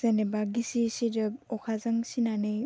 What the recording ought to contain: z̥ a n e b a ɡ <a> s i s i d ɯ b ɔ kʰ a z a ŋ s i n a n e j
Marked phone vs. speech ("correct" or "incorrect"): incorrect